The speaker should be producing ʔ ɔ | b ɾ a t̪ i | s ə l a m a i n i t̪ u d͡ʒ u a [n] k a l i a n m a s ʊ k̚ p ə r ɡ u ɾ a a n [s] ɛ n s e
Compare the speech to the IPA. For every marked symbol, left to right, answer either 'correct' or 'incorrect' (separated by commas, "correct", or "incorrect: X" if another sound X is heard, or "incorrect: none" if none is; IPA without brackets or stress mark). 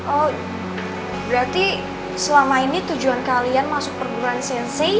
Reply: correct, correct